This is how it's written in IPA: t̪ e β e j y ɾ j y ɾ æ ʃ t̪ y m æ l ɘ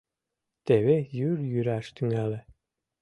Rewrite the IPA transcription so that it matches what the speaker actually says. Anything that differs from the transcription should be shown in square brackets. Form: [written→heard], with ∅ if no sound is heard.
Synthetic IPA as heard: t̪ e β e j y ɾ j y ɾ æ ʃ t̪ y [m→ŋ] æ l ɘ